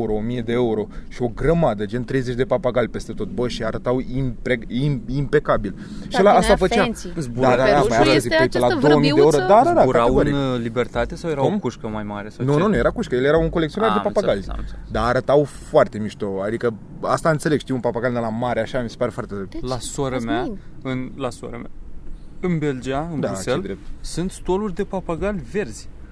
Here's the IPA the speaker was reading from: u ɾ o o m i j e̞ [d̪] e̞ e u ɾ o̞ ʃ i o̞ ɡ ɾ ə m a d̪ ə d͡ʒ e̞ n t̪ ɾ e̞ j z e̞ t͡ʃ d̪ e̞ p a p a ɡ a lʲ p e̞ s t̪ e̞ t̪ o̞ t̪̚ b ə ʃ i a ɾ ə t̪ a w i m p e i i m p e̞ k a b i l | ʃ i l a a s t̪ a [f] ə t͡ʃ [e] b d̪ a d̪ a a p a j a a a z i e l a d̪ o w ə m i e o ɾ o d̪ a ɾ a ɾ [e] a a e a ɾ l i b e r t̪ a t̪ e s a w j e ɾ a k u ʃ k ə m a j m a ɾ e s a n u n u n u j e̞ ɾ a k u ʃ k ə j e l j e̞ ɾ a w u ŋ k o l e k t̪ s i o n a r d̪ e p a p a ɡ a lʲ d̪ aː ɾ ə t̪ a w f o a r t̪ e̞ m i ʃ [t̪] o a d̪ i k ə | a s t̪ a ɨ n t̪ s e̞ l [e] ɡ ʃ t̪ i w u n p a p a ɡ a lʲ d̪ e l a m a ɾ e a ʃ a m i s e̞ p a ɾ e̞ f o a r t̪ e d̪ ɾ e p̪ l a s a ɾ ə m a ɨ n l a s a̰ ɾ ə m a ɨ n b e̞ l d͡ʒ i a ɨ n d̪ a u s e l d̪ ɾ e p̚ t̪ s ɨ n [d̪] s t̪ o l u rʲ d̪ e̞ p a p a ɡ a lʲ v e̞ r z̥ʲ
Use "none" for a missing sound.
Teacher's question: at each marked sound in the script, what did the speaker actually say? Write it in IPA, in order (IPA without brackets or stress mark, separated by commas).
d̪, f, a, a, t̪, e, t̪